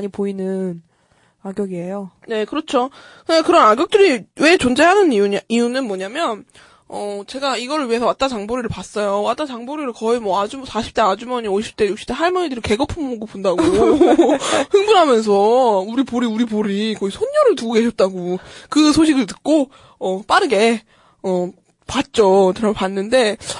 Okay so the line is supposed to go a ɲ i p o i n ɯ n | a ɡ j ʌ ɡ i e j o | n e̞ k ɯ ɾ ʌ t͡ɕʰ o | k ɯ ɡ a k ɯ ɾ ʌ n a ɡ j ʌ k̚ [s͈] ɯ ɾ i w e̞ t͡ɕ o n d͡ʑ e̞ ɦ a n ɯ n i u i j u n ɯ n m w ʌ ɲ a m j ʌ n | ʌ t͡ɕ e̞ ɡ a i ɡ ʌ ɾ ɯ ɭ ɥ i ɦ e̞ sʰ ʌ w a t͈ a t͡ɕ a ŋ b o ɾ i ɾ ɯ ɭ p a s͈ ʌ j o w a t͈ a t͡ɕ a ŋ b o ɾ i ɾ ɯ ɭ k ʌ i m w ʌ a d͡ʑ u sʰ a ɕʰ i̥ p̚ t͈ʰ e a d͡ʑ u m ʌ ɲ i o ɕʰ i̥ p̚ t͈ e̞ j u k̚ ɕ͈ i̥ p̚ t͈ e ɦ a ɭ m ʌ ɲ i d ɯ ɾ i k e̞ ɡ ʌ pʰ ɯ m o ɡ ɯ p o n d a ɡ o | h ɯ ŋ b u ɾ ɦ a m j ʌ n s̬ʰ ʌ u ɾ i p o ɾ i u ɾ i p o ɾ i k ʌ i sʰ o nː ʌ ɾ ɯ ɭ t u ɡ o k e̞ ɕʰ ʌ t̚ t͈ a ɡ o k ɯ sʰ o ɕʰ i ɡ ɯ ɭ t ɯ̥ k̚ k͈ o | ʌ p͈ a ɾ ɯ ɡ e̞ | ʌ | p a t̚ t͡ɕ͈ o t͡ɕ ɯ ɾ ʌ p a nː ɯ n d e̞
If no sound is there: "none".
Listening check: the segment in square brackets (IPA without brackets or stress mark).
t͈